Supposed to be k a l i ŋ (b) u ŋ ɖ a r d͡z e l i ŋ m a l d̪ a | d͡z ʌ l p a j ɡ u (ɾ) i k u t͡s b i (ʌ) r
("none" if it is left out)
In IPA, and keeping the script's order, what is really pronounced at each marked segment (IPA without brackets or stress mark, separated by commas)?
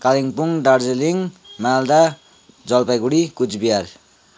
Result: p, ɽ, a